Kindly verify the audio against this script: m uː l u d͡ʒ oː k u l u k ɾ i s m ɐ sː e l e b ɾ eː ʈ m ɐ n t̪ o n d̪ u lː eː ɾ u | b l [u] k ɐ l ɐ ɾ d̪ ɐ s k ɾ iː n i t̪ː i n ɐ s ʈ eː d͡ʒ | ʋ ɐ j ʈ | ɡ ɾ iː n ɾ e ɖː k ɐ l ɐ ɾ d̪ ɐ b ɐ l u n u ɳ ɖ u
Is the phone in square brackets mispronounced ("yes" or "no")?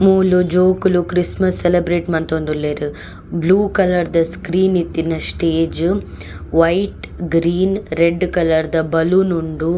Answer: yes